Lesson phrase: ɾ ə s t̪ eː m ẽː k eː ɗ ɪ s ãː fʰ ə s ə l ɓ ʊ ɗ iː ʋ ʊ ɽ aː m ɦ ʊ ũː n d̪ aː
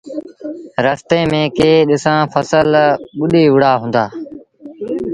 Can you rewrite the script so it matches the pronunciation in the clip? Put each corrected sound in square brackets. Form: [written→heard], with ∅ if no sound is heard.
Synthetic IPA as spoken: ɾ ə s t̪ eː m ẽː k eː ɗ ɪ s ãː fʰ ə s ə l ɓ ʊ ɗ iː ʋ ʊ ɽ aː [m→∅] ɦ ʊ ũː n d̪ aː